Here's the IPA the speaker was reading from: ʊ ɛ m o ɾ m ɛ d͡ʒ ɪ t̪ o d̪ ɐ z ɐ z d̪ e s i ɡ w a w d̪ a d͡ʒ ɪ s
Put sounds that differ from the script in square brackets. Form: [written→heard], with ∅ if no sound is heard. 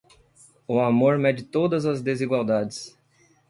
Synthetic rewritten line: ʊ [ɛ→a] m o ɾ m ɛ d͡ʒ ɪ t̪ o d̪ ɐ z ɐ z d̪ e [s→z] i ɡ w a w d̪ a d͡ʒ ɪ s